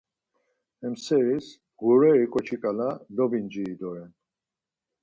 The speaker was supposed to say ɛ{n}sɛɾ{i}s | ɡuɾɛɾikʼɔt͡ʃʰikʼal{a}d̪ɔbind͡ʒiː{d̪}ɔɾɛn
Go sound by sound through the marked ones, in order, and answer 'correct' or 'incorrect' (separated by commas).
incorrect, correct, correct, correct